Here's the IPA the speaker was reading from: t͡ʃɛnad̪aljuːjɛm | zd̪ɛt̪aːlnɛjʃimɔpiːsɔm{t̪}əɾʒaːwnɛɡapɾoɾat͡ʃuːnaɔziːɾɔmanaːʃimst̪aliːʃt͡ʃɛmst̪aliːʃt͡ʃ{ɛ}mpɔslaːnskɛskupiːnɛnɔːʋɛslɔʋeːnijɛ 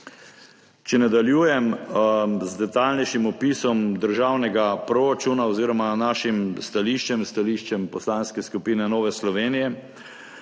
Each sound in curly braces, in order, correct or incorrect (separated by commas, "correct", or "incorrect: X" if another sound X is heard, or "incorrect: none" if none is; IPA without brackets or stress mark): incorrect: d̪, correct